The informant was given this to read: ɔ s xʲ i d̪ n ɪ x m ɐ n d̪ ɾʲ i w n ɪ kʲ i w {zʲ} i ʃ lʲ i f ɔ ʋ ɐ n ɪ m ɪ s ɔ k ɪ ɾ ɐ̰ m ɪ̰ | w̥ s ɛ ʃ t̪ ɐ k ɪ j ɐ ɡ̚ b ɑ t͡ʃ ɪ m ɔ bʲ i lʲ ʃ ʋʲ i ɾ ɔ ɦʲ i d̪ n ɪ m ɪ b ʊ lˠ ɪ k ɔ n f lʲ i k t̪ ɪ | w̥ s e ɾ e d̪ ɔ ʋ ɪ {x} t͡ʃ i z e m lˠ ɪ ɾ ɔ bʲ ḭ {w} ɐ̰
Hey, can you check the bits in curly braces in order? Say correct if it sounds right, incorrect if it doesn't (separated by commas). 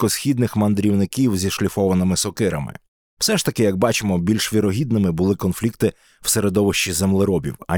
correct, incorrect, correct